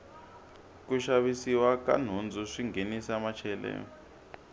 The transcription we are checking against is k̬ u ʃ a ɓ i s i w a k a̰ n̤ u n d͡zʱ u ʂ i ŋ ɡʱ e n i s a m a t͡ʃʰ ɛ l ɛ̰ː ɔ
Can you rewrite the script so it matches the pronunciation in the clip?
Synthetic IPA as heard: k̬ u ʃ a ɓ i s i w a k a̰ n̤ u n d͡zʱ u ʂ i ŋ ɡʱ e n i s a m a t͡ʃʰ ɛ l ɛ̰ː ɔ